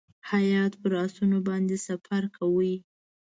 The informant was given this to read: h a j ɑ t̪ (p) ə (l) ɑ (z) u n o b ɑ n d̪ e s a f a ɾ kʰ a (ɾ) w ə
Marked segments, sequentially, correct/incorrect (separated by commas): correct, incorrect, incorrect, incorrect